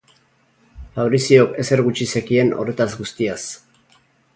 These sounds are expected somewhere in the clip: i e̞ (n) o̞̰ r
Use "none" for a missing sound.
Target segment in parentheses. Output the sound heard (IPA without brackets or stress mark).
n